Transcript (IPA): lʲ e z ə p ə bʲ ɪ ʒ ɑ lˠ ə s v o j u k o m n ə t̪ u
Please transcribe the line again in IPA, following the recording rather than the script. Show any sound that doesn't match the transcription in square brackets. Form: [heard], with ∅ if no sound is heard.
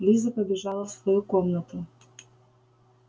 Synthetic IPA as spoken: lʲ [i] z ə p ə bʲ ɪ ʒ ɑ lˠ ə s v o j u k o m n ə t̪ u